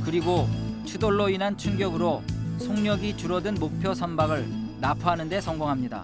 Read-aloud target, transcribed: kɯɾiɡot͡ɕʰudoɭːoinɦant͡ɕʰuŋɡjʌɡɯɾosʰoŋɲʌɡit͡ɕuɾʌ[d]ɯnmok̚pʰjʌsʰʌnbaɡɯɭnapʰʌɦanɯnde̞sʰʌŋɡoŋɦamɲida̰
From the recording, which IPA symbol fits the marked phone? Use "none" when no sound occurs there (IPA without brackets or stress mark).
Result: d